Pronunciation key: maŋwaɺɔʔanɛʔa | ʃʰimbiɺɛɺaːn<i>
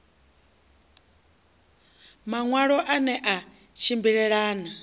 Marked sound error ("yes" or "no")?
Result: yes